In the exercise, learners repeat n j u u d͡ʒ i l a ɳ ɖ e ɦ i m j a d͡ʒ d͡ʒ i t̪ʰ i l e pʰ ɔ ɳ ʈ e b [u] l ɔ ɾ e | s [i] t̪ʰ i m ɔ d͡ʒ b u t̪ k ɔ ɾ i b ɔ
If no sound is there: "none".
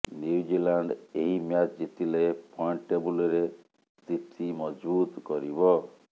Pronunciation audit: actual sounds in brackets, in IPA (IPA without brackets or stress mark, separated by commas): u, i